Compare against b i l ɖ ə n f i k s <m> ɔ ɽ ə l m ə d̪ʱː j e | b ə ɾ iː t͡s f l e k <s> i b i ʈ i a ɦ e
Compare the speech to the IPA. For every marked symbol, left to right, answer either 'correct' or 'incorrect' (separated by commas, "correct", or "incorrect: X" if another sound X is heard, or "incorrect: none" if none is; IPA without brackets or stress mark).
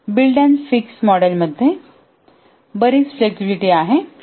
correct, correct